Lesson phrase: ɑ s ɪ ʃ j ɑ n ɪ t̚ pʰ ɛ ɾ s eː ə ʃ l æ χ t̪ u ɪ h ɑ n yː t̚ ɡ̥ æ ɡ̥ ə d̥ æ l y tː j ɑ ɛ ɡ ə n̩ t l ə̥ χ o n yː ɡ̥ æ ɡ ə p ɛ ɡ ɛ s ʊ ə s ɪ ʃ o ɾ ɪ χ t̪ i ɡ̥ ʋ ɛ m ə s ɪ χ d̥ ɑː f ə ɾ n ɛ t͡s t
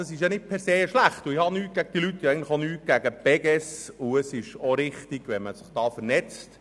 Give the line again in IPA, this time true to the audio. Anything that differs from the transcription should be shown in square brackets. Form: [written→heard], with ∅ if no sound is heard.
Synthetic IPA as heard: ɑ s ɪ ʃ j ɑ n ɪ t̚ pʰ ɛ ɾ s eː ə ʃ l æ χ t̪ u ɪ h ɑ n yː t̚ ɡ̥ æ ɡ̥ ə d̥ [æ→i] l y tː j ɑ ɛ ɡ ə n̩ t l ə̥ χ o n yː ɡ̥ æ ɡ ə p ɛ ɡ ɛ s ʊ ə s ɪ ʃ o ɾ ɪ χ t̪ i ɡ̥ ʋ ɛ m ə s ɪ χ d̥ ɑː f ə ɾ n ɛ t͡s t